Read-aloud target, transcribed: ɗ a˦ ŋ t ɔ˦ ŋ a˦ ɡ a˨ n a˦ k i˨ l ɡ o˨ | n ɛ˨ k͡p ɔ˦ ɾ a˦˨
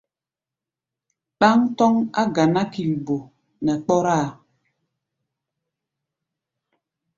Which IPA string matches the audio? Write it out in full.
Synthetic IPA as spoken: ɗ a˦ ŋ t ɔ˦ ŋ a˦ ɡ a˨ n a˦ k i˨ l b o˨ | n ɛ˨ k͡p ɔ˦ ɾ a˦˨